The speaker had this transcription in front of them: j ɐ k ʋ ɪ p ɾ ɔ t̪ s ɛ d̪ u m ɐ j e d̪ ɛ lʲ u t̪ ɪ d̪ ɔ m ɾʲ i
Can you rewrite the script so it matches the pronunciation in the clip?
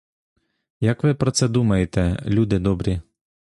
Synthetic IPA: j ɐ k ʋ ɪ p ɾ ɔ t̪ s ɛ d̪ u m ɐ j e t̪ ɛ lʲ u d̪ ɪ d̪ ɔ b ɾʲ i